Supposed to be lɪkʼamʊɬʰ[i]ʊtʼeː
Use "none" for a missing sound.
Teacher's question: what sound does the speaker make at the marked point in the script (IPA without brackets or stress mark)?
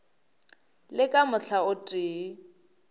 a